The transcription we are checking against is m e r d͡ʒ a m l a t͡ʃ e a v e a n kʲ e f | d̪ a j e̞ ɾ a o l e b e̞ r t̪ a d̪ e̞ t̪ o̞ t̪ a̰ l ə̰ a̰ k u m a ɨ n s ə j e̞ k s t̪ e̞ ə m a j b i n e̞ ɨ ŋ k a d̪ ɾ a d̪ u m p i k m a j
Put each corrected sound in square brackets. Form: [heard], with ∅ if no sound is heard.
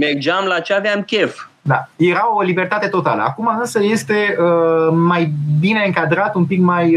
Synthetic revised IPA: m e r d͡ʒ a m l a t͡ʃ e a v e a [m] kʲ e f | d̪ a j e̞ ɾ a o l [i] b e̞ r t̪ a [t̪] e̞ t̪ o̞ t̪ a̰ l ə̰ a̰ k u m a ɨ n s ə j e̞ [∅] s t̪ e̞ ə m a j b i n e̞ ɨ ŋ k a d̪ ɾ a [t̪] u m p i k m a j